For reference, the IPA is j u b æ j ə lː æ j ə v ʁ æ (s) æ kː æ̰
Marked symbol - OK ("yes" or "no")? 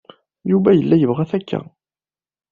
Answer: no